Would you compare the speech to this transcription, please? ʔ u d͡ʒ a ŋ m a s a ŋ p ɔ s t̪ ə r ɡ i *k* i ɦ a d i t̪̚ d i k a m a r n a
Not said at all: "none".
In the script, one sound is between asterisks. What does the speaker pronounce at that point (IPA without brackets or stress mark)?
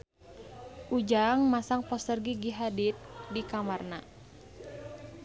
ɡ